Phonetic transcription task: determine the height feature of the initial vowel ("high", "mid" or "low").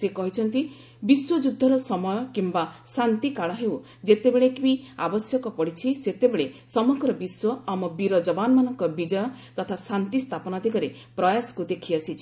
mid